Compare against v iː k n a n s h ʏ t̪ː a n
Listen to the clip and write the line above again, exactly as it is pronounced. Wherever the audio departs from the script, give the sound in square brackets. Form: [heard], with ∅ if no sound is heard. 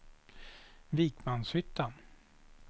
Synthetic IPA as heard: v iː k [m] a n s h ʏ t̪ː a n